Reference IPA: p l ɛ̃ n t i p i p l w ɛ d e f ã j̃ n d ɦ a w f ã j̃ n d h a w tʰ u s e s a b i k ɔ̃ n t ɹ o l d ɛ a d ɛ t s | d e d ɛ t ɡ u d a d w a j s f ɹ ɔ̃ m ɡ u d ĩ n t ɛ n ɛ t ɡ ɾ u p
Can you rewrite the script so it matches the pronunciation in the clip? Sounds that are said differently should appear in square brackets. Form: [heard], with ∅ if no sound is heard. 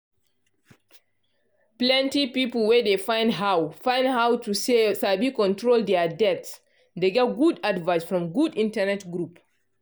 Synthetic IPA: p l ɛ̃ n t i p i p l w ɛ d e f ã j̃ n d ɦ a w f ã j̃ n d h a w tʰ u s e s a b i k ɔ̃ n t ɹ o l d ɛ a d ɛ t s | d e [ɡ] ɛ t ɡ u d a d [v] a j s f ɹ ɔ̃ m ɡ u d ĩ n t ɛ n ɛ t ɡ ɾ u p